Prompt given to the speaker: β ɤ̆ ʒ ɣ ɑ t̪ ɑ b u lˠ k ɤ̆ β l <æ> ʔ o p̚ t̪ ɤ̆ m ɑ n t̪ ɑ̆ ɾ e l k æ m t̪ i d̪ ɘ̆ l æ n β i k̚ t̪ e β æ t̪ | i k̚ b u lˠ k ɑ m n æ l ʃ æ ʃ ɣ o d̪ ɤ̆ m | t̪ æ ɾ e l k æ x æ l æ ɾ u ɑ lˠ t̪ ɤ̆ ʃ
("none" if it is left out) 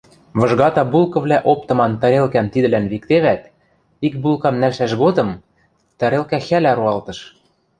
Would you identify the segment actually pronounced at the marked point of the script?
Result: æ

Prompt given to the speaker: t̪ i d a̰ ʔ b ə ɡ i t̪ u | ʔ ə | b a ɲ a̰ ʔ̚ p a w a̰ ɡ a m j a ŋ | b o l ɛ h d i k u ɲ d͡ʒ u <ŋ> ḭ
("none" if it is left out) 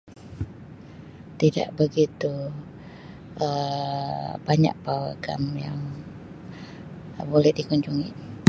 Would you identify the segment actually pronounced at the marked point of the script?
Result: ŋ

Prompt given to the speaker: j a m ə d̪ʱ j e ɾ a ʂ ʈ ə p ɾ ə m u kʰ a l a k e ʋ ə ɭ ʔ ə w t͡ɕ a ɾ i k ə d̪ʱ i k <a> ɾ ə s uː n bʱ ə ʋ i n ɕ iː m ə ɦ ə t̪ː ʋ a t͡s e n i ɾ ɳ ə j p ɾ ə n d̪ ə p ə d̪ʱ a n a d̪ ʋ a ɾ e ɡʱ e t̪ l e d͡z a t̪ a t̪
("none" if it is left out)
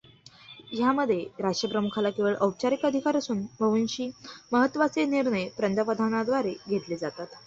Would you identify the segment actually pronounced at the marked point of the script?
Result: a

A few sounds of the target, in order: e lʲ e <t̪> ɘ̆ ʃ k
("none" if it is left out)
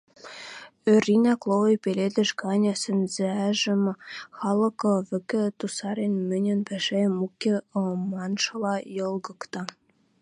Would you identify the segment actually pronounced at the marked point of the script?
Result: d̪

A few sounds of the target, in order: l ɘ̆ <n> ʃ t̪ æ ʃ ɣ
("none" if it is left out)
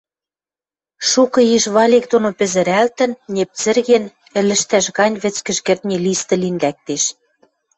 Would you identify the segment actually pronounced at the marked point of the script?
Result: none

